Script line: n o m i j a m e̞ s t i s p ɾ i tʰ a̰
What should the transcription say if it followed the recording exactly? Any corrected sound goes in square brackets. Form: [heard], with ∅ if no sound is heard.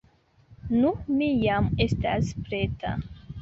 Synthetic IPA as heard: n [u] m i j a m e̞ s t [a] s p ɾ [e] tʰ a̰